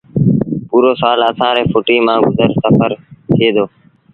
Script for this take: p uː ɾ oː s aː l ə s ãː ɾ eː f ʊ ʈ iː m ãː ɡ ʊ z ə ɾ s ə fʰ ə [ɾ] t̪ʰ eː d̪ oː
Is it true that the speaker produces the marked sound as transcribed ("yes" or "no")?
yes